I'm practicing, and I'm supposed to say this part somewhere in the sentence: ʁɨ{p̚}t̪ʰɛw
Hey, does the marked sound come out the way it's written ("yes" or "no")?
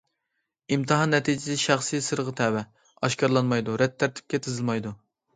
no